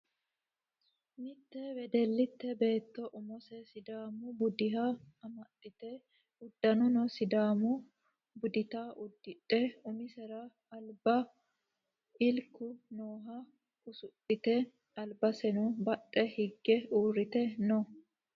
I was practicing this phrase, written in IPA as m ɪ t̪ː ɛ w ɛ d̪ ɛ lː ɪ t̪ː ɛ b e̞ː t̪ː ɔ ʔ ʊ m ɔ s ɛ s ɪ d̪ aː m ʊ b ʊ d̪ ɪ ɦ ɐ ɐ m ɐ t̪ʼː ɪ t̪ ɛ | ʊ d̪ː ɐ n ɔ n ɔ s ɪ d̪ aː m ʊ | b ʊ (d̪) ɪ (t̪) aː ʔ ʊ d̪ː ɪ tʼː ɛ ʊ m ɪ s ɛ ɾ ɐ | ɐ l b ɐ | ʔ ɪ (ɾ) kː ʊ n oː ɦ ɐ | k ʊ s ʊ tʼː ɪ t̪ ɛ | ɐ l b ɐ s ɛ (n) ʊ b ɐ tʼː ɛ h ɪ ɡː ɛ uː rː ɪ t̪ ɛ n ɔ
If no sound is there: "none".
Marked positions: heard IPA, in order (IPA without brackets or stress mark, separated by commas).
d̪, t̪, l, n